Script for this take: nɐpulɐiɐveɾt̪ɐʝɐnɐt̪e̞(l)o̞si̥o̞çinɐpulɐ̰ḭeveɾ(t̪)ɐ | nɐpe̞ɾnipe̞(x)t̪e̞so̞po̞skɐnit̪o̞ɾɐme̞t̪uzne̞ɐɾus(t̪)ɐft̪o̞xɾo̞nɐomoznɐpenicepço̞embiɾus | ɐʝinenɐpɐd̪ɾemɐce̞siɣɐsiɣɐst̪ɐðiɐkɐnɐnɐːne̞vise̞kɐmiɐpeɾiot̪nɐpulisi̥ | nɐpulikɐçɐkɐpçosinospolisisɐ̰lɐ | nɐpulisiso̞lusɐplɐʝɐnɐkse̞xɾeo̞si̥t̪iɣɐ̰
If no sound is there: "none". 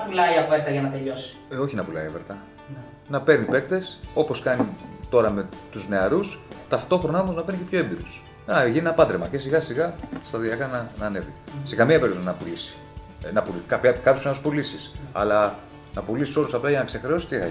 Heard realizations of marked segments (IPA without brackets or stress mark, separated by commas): ʎ, t̪, k, t̪